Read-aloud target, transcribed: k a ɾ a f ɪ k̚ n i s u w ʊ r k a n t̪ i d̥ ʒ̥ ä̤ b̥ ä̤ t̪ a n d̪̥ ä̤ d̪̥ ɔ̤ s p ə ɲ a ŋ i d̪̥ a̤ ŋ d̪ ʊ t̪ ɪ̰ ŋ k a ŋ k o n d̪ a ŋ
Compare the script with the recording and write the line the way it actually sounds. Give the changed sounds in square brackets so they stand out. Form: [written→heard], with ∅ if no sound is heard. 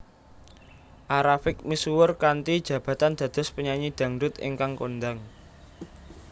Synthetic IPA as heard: [k→ʔ] a ɾ a f ɪ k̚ [n→m] i s u w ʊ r k a n t̪ i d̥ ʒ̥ ä̤ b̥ ä̤ t̪ a n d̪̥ ä̤ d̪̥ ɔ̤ s p ə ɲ a [ŋ→ɲ] i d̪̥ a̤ ŋ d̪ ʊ t̪ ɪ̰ ŋ k a ŋ k o n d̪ a ŋ